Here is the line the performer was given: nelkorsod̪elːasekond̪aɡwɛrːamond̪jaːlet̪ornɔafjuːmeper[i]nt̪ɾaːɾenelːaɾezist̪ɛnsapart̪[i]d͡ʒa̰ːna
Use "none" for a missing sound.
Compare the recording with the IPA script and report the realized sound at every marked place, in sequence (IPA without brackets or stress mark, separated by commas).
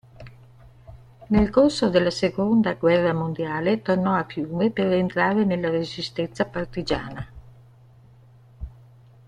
e, i